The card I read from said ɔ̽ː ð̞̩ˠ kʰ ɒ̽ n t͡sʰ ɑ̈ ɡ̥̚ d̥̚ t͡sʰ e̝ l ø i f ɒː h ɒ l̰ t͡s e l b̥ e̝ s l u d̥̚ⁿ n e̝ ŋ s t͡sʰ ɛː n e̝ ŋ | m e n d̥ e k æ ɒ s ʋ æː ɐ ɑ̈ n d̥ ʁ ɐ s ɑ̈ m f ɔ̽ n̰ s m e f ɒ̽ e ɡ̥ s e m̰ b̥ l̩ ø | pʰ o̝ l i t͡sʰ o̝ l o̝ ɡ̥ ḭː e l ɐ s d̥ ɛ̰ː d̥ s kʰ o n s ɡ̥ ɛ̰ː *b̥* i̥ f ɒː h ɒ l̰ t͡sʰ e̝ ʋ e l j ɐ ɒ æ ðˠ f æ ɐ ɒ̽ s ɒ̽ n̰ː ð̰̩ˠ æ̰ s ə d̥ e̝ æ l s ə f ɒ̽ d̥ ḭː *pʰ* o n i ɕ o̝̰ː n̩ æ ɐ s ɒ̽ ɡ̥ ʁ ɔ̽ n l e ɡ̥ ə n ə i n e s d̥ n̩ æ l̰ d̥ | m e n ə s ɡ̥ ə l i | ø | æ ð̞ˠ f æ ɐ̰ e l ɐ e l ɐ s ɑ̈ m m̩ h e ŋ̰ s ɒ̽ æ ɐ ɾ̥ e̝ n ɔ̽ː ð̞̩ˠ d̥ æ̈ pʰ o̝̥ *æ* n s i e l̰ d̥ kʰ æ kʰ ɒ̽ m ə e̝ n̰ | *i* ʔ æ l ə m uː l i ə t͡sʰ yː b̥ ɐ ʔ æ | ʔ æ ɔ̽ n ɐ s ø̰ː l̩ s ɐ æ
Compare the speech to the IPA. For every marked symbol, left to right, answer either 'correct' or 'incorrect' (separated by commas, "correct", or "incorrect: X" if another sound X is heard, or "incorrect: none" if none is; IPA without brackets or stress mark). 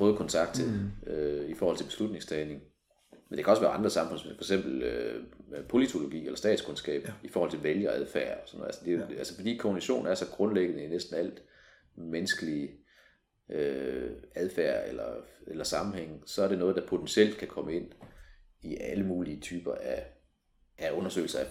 correct, incorrect: kʰ, incorrect: e, correct